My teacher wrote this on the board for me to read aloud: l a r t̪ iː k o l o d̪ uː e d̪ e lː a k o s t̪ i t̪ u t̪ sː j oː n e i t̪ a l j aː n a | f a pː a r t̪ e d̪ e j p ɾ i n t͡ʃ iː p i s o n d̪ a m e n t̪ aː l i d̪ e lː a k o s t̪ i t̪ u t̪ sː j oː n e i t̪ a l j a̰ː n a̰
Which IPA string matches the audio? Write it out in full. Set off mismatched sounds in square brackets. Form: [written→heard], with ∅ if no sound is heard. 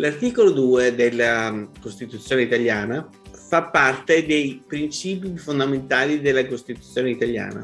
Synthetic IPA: l a r t̪ iː k o l o d̪ uː e d̪ e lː a k o s t̪ i t̪ u t̪ sː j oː n e i t̪ a l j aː n a | f a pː a r t̪ e d̪ e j p ɾ i n t͡ʃ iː p i [s→f] o n d̪ a m e n t̪ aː l i d̪ e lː a k o s t̪ i t̪ u t̪ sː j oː n e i t̪ a l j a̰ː n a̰